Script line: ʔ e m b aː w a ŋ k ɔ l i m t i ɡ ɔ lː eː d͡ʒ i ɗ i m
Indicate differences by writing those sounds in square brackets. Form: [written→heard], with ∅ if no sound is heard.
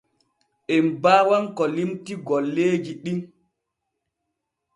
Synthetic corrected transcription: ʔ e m b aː w a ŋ k ɔ l i m t i ɡ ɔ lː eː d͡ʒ i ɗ i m

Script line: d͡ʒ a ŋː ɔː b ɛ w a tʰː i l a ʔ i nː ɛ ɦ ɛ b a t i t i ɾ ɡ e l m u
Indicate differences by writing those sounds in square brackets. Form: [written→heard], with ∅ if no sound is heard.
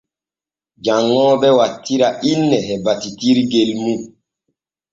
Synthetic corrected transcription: d͡ʒ a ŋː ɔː b ɛ w a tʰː i [l→ɾ] a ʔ i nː ɛ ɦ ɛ b a t i t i ɾ ɡ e l m u

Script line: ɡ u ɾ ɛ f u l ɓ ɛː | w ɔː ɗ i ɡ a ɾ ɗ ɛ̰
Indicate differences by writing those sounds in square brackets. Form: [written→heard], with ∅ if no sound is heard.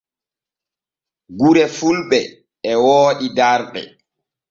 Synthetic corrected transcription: ɡ u ɾ ɛ f u l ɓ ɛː | w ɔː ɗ i [ɡ→d] a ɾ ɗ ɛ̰

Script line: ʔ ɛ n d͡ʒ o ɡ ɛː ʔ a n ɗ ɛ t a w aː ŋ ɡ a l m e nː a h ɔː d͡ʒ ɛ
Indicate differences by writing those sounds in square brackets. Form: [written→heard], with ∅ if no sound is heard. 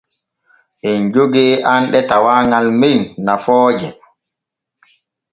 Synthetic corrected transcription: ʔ ɛ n d͡ʒ o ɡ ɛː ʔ a n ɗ ɛ t a w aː ŋ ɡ a l m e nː a [h→f] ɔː d͡ʒ ɛ

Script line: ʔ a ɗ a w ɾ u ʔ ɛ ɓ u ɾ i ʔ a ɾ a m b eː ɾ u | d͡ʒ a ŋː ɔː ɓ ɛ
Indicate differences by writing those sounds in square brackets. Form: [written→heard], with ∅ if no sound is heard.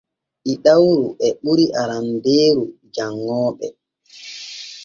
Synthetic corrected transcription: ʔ [a→i] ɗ a w ɾ u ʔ ɛ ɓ u ɾ i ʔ a ɾ a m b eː ɾ u | d͡ʒ a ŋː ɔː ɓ ɛ

